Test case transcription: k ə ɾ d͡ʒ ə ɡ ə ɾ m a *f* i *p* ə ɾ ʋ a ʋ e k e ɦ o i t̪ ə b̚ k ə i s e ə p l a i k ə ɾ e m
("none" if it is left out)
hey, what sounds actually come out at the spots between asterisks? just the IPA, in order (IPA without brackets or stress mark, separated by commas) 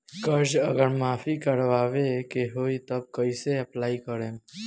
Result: f, k